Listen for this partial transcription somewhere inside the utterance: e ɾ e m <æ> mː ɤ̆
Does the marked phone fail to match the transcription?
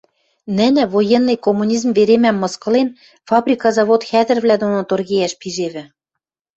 no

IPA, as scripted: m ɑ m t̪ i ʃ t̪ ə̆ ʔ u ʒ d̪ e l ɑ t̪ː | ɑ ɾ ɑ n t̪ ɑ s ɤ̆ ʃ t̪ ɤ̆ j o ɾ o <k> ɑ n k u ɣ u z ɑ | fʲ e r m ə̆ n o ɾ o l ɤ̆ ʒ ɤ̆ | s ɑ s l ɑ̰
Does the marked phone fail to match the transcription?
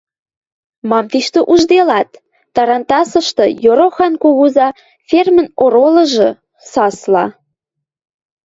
yes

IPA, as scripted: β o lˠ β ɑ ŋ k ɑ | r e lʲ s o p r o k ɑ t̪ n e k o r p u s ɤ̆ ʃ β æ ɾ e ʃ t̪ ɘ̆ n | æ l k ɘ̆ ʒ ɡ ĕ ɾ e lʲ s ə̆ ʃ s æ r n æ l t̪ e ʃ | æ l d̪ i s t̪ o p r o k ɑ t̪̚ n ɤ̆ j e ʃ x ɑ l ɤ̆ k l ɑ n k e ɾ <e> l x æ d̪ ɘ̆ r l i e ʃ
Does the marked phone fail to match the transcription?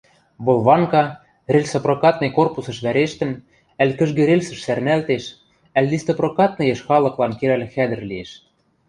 yes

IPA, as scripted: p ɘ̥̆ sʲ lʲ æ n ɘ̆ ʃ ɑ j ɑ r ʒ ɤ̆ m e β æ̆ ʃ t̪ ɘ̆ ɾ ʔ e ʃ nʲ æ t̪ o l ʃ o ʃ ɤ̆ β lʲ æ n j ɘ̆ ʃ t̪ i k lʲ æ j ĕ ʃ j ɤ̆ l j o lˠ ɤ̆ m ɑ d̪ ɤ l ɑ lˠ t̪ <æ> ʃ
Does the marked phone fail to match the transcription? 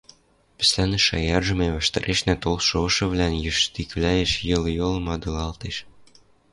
yes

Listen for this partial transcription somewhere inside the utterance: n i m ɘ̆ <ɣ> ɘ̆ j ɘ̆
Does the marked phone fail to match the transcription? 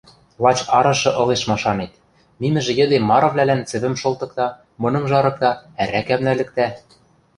yes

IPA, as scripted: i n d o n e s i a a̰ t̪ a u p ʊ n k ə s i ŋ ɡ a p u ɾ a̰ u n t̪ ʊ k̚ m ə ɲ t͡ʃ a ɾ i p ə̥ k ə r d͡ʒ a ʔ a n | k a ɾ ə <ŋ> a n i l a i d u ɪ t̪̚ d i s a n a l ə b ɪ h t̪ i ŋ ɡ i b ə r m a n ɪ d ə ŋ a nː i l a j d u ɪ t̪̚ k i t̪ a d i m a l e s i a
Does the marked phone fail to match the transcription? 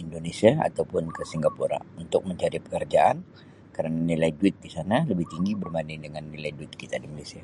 yes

